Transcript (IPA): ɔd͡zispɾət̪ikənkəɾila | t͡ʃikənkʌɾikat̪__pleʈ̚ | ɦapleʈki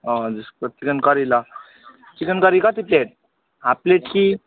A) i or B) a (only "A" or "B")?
A